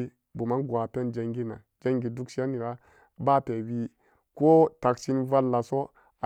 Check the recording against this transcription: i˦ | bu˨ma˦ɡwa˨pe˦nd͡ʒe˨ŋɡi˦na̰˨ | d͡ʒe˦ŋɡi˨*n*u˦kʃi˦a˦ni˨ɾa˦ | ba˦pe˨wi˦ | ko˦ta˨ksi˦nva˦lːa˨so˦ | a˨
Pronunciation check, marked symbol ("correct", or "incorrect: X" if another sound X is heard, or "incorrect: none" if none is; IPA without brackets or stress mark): incorrect: d